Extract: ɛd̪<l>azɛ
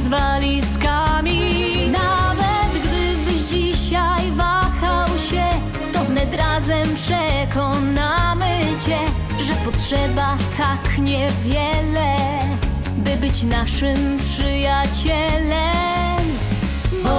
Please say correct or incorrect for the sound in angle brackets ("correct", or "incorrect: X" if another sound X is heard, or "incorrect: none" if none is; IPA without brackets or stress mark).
incorrect: ɾ